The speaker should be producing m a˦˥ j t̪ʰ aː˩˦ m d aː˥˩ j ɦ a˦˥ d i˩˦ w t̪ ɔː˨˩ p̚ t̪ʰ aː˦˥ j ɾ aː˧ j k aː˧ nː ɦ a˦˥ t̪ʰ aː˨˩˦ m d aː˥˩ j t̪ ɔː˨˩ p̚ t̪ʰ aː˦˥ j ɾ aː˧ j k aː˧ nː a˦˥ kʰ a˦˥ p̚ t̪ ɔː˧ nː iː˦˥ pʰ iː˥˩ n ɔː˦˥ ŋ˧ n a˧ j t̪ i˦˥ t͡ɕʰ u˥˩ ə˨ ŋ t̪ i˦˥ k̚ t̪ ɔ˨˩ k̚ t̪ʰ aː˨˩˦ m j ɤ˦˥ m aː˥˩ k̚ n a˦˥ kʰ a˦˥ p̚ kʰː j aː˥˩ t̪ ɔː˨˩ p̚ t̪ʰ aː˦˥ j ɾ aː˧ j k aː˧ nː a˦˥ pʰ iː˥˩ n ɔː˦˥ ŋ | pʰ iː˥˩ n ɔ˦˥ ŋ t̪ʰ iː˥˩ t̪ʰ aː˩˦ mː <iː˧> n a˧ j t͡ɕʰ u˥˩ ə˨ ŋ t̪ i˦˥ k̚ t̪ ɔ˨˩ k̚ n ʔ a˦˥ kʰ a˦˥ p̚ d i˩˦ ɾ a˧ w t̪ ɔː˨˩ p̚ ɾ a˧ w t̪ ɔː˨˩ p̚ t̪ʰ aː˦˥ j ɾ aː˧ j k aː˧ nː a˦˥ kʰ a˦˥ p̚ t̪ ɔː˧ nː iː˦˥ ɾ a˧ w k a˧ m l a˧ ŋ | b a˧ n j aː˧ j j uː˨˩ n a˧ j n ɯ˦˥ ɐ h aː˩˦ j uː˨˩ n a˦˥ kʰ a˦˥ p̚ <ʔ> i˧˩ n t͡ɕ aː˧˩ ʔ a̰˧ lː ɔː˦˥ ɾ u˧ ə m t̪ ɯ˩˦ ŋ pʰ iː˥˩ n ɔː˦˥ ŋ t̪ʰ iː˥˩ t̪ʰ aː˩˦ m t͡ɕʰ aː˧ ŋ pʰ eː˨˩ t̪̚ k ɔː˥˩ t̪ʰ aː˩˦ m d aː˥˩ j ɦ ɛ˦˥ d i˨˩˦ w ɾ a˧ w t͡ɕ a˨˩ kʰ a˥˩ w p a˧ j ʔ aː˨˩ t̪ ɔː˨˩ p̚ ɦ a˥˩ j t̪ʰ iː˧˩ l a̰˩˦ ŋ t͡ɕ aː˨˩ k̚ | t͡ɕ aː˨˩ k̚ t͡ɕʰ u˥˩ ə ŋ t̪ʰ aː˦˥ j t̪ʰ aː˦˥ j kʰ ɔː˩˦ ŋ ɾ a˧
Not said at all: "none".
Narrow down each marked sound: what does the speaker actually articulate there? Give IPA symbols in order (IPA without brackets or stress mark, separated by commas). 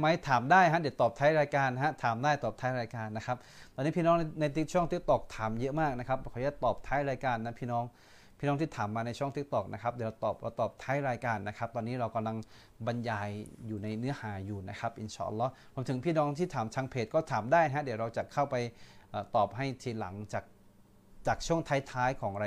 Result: aː˧, ʔ